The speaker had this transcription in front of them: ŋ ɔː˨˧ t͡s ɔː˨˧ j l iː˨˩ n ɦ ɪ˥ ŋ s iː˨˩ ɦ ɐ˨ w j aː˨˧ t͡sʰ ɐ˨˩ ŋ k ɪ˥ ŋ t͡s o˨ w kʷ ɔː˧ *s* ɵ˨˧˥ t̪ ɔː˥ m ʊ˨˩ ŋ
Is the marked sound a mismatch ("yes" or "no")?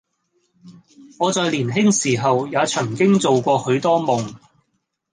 yes